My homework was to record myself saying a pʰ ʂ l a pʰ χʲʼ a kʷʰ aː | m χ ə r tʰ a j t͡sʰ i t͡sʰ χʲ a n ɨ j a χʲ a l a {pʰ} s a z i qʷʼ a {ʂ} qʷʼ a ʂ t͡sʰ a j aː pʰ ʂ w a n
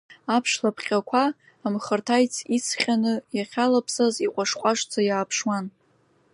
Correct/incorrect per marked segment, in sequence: correct, correct

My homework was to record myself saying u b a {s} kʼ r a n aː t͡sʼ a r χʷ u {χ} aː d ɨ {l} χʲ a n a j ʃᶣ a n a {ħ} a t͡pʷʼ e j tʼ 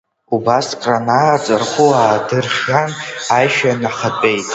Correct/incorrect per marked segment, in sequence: correct, incorrect: none, incorrect: r, incorrect: χ

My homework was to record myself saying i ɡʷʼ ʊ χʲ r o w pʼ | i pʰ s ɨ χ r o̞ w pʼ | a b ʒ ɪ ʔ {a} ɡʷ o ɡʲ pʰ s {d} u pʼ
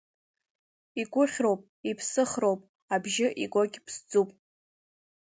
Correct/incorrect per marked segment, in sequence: incorrect: i, incorrect: d͡z

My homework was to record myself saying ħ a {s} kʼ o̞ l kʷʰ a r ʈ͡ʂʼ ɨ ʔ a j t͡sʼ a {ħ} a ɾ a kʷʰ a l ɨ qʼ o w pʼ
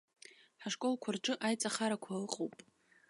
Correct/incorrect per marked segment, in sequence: incorrect: ʂ, incorrect: χ

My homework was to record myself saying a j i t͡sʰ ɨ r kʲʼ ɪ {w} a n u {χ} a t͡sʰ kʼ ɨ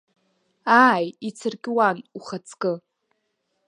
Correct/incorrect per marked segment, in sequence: correct, correct

